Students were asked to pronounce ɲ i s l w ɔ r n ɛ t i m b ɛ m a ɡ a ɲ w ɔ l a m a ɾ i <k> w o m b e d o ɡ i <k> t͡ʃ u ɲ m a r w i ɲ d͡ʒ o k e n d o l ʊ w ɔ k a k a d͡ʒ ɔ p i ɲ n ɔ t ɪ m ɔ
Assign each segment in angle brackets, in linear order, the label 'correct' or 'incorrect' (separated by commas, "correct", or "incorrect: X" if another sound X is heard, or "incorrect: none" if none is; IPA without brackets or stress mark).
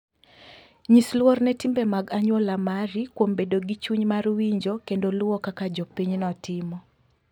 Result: correct, incorrect: none